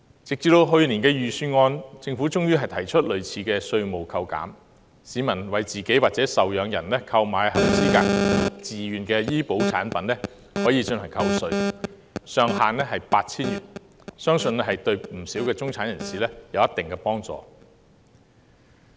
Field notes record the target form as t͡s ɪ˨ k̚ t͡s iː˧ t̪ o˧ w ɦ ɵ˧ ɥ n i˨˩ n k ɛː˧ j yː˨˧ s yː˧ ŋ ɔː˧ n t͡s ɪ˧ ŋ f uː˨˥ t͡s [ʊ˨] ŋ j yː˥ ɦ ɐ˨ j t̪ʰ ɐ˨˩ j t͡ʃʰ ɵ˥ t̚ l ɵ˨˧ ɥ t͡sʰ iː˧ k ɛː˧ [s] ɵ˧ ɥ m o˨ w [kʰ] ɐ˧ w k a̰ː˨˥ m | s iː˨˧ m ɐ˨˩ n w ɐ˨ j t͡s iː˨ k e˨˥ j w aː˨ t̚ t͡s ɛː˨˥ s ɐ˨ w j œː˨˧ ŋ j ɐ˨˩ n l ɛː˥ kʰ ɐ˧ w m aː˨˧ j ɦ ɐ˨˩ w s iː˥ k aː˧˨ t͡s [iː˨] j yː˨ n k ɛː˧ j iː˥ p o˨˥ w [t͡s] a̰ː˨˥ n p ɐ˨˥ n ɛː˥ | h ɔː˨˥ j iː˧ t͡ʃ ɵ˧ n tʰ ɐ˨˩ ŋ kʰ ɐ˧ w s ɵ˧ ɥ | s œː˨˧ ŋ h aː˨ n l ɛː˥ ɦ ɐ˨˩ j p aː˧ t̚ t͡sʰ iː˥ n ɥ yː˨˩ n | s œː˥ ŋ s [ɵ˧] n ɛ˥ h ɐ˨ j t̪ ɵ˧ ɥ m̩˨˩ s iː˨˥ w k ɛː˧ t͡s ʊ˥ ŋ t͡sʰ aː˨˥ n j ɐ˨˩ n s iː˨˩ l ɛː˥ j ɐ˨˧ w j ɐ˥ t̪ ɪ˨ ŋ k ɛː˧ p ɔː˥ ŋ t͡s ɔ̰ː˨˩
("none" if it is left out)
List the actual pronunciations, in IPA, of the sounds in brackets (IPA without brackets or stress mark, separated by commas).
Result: ʊ˥, s, kʰ, iː˨, t͡sʰ, ɵ˧